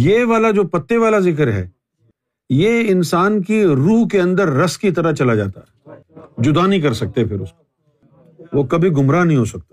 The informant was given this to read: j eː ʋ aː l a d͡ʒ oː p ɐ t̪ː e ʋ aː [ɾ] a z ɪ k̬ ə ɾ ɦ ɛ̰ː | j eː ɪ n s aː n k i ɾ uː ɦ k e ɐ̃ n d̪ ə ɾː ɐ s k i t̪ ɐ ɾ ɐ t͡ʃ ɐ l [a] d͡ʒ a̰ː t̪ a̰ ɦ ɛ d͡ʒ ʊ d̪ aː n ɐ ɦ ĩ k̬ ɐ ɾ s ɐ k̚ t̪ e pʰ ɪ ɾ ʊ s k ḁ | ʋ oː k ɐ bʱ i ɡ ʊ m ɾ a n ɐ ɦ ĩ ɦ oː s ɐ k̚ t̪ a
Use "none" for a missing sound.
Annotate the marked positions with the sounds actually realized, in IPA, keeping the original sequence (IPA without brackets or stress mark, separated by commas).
l, a